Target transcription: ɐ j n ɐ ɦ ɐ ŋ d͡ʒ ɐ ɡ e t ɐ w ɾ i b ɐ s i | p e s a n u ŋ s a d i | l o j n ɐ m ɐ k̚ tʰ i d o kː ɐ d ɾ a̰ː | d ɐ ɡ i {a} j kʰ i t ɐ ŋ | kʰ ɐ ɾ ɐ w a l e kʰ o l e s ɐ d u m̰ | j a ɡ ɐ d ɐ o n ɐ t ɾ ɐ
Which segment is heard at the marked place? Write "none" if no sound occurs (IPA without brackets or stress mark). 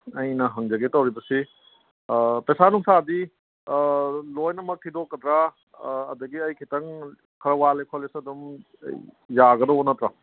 ɐ